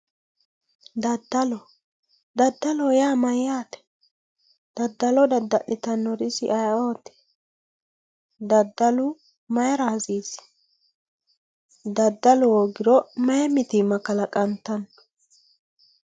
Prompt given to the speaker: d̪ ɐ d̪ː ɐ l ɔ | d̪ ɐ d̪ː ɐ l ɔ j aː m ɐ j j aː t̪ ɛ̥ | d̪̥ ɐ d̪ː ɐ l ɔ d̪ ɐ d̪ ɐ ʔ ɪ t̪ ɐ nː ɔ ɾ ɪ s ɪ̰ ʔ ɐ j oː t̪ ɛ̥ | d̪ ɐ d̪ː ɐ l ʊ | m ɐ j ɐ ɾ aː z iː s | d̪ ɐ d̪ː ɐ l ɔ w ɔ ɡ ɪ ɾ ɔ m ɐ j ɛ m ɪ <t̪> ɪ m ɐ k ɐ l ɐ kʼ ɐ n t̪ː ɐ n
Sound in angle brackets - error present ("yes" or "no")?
no